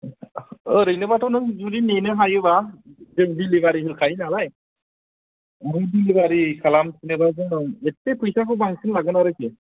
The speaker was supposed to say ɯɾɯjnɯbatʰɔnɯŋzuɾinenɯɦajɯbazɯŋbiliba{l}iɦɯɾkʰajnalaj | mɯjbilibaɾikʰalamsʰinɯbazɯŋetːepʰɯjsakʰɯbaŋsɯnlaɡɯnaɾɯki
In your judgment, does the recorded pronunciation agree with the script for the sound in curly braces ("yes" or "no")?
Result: no